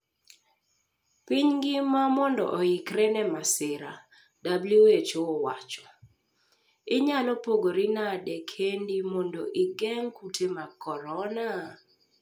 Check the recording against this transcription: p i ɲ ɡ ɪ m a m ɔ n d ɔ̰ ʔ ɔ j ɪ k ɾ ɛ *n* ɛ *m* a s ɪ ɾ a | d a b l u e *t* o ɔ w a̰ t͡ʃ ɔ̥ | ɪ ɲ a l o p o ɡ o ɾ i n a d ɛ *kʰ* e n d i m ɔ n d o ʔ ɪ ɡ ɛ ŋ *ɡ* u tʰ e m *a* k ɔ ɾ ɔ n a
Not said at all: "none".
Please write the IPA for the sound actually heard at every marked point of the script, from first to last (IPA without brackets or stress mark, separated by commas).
n, m, t͡ʃ, kʰ, k, a